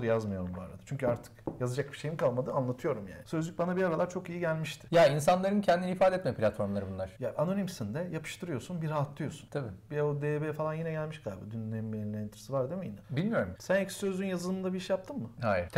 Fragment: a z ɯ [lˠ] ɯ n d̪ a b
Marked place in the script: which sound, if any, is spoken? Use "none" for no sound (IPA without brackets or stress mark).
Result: lˠ